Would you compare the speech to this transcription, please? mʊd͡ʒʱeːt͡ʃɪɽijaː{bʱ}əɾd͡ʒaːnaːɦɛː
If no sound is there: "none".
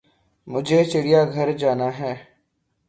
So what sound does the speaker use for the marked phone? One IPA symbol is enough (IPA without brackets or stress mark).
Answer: ɡʱ